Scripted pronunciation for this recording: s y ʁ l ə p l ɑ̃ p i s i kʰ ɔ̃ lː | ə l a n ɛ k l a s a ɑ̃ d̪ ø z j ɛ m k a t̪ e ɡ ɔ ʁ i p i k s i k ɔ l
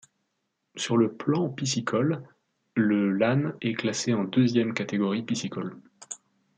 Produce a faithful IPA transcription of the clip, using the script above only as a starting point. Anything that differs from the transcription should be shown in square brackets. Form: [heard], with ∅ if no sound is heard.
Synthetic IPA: s y ʁ l ə p l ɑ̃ p i s i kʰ [ɔ] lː | ə l a n ɛ k l a s [e] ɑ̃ d̪ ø z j ɛ m k a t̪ e ɡ ɔ ʁ i p i [∅] s i k ɔ l